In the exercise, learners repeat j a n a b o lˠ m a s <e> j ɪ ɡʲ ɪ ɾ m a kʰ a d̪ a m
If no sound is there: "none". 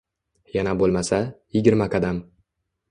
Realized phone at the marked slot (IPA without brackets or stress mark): a